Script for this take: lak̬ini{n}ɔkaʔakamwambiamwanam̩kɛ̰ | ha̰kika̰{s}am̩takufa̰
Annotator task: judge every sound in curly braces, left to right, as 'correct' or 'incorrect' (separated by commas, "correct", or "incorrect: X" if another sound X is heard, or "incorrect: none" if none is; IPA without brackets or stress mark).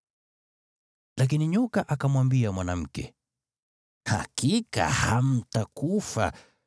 incorrect: ɲ, incorrect: h